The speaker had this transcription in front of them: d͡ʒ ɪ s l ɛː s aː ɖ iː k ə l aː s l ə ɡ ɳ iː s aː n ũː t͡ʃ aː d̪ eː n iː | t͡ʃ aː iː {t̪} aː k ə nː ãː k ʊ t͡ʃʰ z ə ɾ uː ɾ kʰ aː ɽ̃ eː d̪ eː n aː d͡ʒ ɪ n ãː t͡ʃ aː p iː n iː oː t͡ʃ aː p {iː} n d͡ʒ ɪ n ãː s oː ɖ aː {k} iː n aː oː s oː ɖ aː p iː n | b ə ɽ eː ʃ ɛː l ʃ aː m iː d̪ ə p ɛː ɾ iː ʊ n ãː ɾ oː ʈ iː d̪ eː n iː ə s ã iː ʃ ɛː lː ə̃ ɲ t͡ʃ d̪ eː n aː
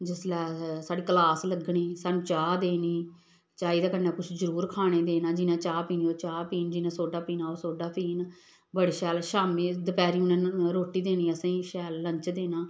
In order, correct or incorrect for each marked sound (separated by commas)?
incorrect, correct, incorrect